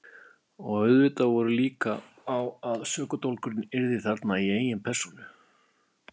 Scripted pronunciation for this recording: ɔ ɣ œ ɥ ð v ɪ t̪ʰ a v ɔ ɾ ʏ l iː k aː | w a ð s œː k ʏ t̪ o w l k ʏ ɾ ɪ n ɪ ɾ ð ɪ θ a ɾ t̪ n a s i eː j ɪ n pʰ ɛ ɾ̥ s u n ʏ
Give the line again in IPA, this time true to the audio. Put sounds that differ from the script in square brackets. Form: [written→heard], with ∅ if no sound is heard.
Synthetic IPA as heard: ɔ ɣ œ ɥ ð v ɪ [t̪ʰ→t̪] a v ɔ ɾ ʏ l iː k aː | w a ð s œː k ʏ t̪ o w l k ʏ ɾ ɪ n ɪ ɾ ð ɪ θ a ɾ t̪ n a [s→∅] i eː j ɪ n pʰ ɛ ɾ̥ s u n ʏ

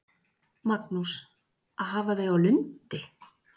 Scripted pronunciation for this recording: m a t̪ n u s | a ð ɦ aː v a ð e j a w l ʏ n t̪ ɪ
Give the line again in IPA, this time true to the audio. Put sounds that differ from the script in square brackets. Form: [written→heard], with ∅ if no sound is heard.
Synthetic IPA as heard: m a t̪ n u s | a ð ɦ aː v a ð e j a w l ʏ n t̪ ɪ

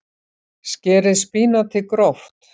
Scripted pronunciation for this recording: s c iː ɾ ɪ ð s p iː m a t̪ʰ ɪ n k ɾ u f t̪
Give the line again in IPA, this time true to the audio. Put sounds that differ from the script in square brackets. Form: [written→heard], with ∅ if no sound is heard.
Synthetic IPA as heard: s c [iː→ɛː] ɾ ɪ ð s p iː [m→n] a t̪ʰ ɪ [n→∅] k ɾ [u→ɔ] f t̪

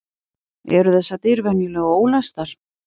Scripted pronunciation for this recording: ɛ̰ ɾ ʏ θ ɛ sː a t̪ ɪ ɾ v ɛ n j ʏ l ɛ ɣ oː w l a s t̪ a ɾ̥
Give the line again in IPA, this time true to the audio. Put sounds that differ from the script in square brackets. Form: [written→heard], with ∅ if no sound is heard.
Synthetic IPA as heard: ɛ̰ ɾ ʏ θ ɛ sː a t̪ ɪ ɾ v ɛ n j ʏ l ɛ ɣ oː w l a s t̪ a ɾ̥

